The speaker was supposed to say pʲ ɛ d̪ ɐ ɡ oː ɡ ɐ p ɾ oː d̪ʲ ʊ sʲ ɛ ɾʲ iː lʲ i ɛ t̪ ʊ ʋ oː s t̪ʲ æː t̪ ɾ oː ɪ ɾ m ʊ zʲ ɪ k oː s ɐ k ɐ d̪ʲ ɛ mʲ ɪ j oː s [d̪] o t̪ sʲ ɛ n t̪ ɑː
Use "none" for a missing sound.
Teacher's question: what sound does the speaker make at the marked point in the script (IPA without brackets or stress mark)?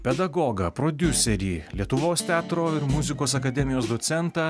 d̪